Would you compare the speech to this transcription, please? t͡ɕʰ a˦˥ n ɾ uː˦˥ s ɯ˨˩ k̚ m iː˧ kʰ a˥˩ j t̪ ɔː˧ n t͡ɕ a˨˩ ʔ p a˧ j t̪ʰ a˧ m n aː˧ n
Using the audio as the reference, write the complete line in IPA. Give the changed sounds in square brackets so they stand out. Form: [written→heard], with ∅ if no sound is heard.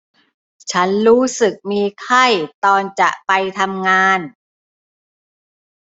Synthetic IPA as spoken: t͡ɕʰ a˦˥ n ɾ uː˦˥ s ɯ˨˩ k̚ m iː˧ kʰ a˥˩ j t̪ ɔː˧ n t͡ɕ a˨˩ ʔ p a˧ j t̪ʰ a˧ m [n→ŋ] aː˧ n